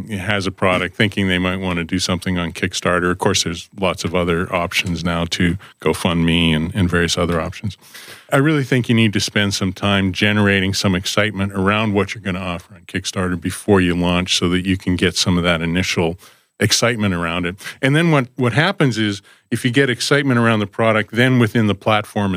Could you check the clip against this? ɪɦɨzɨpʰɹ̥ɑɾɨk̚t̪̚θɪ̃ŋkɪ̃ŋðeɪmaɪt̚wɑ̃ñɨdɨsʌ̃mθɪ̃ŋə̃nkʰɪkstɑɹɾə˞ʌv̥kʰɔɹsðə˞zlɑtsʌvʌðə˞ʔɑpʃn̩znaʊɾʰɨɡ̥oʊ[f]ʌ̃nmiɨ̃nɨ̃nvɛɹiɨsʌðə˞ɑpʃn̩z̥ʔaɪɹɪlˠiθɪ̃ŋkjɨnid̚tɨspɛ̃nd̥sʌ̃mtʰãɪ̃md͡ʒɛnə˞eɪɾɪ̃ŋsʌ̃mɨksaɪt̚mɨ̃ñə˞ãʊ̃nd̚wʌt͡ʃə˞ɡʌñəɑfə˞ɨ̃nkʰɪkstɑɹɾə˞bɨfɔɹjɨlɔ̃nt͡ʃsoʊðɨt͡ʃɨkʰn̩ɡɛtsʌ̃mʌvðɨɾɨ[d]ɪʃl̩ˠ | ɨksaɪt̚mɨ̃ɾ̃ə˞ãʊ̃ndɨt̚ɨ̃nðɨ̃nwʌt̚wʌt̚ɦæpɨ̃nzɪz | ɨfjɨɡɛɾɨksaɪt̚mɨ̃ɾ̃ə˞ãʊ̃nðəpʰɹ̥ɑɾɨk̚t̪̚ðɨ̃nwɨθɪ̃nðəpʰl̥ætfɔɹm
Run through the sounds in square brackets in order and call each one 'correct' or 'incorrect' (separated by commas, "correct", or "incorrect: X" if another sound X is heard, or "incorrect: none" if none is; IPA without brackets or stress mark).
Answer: correct, incorrect: n